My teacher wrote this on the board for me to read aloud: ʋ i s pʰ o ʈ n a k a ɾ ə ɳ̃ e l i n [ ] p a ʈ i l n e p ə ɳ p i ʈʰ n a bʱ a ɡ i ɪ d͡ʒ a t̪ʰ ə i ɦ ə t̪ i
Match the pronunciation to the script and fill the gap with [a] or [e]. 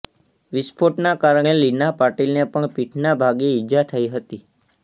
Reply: a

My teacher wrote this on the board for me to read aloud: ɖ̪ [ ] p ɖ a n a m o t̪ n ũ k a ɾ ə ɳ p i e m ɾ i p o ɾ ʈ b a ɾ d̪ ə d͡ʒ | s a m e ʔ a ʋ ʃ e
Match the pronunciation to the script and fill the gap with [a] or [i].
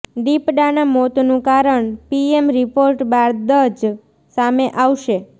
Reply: i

